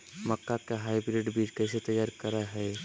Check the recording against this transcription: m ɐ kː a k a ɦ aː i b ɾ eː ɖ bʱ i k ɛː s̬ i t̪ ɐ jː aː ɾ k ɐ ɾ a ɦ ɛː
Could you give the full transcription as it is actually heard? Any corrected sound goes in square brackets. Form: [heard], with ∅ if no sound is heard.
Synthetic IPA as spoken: m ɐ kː a k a ɦ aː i b ɾ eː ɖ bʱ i k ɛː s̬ [e] t̪ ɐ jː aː ɾ k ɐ ɾ a ɦ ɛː